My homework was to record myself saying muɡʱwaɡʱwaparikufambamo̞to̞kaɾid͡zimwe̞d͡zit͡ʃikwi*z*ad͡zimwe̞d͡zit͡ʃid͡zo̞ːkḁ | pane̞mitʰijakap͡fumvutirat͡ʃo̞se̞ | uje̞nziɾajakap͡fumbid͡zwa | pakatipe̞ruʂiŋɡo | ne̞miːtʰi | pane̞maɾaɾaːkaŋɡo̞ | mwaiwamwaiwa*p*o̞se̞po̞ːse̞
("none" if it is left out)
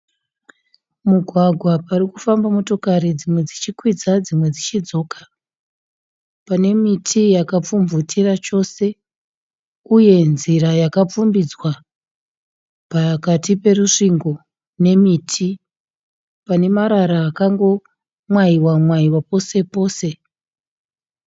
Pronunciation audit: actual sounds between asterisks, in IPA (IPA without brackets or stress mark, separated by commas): d͡z, p